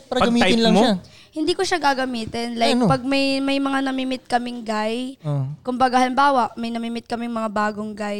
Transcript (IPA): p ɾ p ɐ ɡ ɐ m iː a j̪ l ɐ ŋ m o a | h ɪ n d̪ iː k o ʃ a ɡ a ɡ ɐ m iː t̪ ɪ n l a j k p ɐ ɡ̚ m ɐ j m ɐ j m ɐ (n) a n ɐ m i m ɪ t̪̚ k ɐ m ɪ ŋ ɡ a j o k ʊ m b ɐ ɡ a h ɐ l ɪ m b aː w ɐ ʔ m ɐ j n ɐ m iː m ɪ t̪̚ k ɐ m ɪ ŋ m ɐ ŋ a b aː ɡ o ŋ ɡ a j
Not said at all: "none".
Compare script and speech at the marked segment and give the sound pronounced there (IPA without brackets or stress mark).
ŋ